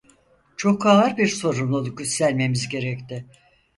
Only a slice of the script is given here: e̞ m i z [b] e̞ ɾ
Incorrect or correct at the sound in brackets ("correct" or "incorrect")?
incorrect